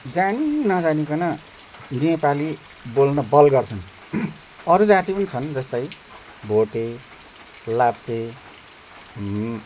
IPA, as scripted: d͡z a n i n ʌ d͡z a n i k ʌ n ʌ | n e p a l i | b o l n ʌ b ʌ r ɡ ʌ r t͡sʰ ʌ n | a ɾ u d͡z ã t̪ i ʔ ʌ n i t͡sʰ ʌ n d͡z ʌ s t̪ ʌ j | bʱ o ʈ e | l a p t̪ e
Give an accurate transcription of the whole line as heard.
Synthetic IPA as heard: d͡z a n i n ʌ d͡z a n i k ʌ n ʌ | n e p a l i | b o l n ʌ b ʌ l ɡ ʌ r t͡sʰ ʌ n | ʌ ɾ u d͡z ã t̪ i p ʌ n i t͡sʰ ʌ n d͡z ʌ s t̪ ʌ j | bʱ o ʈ e | l a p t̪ e

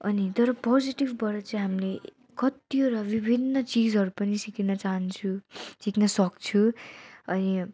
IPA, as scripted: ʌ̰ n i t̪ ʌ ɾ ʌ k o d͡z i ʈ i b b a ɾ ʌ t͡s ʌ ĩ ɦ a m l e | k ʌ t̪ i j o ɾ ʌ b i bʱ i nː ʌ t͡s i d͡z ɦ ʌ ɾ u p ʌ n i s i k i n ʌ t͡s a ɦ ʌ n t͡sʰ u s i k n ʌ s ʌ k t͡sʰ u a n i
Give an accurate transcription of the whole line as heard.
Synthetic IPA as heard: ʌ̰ n i t̪ ʌ ɾ ʌ p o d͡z i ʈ i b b ʌ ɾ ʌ t͡s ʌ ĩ ɦ a m l e | k ʌ t̪ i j o ɾ ʌ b i bʱ i nː ʌ t͡s i d͡z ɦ ʌ ɾ u p ʌ n i s i k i n ʌ t͡s a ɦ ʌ n t͡sʰ u s i k n ʌ s ʌ k t͡sʰ u ʌ n i

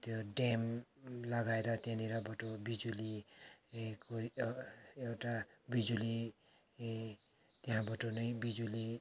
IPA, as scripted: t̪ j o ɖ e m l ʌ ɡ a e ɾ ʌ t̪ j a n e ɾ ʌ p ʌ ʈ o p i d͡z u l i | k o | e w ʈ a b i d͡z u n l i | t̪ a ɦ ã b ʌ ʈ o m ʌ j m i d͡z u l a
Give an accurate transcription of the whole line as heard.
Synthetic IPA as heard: t̪ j o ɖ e m l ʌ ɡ a e ɾ ʌ t̪ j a n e ɾ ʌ b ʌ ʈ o b i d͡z u l i | k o | e w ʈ a b i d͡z u l i | t̪ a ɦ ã b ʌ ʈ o n ʌ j b i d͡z u l i

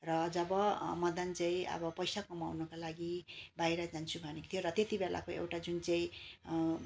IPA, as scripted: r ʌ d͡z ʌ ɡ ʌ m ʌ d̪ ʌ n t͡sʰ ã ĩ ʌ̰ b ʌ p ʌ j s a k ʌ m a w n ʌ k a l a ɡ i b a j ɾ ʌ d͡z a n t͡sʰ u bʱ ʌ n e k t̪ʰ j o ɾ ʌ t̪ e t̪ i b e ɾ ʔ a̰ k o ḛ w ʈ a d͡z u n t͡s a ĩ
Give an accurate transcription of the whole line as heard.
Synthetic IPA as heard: r ʌ d͡z ʌ b ʌ m ʌ d̪ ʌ n t͡s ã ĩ ʌ̰ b ʌ p ʌ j s a k ʌ m a w n ʌ k a l a ɡ i b a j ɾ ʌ d͡z a n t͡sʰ u bʱ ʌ n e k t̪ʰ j o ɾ ʌ t̪ e t̪ i b e l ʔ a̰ k o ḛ w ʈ a d͡z u n t͡s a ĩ

